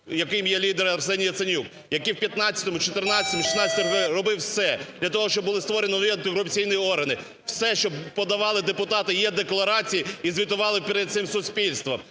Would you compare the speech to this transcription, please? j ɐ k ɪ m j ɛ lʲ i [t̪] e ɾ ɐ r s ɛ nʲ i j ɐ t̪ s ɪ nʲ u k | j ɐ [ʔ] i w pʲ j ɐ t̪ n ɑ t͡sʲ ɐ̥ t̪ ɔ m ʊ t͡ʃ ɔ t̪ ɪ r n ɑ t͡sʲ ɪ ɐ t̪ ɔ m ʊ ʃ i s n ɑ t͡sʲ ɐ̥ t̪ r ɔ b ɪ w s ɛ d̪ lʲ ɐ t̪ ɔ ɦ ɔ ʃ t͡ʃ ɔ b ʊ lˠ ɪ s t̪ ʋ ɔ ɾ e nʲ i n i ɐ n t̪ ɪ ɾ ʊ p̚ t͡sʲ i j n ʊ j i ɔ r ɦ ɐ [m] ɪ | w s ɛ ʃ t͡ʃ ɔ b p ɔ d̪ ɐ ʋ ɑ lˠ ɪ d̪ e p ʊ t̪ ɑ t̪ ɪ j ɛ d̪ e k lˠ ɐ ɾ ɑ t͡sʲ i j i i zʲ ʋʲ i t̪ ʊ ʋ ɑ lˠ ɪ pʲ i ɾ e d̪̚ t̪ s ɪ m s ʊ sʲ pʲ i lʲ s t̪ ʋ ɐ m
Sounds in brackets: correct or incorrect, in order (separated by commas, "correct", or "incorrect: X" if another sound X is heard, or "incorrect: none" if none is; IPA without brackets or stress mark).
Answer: incorrect: d̪, incorrect: k, incorrect: n